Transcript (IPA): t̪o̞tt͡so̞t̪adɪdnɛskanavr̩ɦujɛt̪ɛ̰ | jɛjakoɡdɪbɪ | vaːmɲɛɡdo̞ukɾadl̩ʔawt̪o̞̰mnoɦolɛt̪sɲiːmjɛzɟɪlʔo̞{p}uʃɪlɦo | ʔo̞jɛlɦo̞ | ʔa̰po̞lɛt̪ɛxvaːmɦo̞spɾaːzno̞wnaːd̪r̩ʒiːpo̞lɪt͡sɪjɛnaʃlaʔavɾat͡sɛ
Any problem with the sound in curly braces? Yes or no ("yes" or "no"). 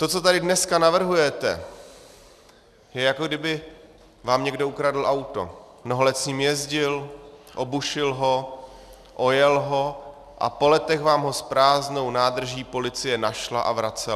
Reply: yes